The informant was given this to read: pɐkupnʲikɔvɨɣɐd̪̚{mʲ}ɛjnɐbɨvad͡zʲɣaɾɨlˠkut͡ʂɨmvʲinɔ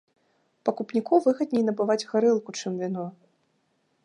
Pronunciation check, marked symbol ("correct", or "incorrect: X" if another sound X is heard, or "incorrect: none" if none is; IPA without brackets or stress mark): incorrect: nʲ